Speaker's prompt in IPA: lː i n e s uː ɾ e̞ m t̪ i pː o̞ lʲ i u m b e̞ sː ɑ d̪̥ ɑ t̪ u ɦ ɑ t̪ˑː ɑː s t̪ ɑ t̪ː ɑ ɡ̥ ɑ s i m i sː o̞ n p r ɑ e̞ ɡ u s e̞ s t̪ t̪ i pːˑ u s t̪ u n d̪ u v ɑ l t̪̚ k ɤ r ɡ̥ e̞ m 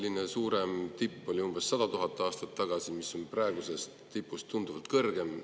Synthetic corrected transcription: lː i n e s uː ɾ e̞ m t̪ i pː o̞ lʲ i u m b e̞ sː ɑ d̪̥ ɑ t̪ u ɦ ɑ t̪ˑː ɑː s t̪ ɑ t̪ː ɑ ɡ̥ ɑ s i m i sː o̞ n p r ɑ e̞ ɡ u s e̞ s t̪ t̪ i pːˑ u s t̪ u n d̪ u v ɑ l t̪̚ k ɤ r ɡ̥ e̞ m

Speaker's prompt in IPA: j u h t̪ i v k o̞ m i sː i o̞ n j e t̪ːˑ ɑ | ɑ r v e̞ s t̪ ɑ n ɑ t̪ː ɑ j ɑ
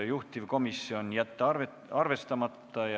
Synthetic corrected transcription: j u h t̪ i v k o̞ m i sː i o̞ n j æ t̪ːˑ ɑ | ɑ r v e̞ s t̪ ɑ m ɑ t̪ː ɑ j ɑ

